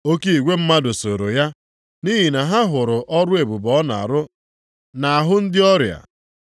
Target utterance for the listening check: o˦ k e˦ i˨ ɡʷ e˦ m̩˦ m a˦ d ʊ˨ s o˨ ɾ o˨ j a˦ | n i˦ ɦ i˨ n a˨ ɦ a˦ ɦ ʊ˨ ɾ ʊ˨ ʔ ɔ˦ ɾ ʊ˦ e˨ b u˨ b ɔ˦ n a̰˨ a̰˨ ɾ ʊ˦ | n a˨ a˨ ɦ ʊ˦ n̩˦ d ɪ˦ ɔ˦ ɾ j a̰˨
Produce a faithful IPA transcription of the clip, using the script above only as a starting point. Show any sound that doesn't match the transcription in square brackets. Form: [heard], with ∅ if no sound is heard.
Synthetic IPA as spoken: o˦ k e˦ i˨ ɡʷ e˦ m̩˦ m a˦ d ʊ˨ s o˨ ɾ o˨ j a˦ | n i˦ ɦ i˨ n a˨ ɦ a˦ ɦ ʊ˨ ɾ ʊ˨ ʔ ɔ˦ ɾ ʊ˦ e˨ b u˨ b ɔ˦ n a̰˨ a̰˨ ɾ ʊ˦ | n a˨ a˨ ɦ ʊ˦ n̩˦ d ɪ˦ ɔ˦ ɾ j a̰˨